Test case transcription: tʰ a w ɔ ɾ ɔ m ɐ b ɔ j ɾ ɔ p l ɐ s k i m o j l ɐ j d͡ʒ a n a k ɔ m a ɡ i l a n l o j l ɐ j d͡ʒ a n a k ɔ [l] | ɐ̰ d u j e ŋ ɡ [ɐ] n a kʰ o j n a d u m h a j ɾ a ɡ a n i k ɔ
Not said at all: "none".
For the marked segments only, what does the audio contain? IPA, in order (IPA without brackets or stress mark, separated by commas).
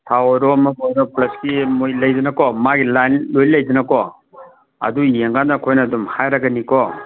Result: none, a